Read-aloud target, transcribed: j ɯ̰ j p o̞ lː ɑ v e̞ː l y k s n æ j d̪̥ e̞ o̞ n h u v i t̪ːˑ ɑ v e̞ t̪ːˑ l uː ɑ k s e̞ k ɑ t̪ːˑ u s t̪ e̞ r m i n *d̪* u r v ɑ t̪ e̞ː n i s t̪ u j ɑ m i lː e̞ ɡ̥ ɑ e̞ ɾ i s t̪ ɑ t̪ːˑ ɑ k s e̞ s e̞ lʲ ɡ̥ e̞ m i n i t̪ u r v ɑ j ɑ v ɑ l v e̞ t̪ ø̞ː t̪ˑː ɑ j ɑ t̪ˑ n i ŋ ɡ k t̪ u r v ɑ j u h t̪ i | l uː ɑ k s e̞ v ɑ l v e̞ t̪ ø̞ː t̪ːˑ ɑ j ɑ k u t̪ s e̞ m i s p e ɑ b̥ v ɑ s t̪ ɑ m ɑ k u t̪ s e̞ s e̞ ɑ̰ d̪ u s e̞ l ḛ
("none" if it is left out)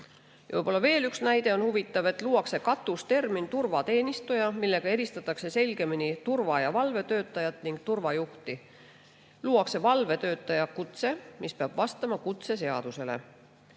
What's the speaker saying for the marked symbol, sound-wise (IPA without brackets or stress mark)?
t̪